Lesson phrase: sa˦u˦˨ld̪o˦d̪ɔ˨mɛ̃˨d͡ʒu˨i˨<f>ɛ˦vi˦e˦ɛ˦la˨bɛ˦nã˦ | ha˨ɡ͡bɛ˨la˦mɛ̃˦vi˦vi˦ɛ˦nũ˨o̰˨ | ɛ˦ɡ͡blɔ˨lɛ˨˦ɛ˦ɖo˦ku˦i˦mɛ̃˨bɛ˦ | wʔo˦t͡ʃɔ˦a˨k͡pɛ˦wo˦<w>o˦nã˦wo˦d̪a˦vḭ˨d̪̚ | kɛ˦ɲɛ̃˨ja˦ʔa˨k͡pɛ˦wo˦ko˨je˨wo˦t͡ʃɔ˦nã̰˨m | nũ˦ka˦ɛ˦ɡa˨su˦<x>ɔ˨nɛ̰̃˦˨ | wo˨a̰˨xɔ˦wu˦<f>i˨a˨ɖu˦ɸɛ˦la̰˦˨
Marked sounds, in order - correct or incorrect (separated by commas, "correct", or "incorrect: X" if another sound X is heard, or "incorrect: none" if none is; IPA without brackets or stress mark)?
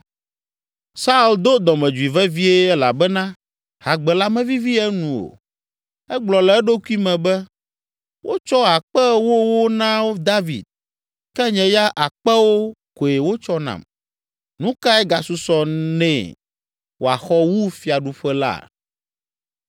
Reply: incorrect: v, correct, incorrect: s, correct